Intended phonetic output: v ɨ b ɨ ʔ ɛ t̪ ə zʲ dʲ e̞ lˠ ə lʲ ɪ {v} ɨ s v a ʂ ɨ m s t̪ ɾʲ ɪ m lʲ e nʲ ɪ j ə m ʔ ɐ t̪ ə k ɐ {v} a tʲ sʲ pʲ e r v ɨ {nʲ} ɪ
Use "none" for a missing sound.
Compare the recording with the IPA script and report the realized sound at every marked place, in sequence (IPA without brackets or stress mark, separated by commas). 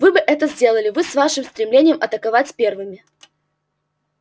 v, v, mʲ